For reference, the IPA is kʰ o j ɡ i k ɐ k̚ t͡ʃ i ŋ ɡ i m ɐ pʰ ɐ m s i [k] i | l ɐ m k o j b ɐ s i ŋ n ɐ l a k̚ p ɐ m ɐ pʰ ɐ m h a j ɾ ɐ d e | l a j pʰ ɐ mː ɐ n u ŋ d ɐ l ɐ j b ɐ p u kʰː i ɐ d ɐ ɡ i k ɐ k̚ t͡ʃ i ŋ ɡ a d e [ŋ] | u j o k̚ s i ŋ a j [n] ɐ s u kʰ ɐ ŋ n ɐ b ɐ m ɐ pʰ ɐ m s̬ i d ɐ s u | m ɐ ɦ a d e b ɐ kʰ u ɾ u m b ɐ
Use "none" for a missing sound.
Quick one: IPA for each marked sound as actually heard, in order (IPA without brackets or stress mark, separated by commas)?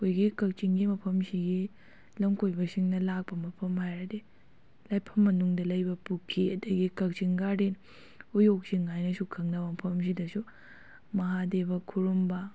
ɡ, n, n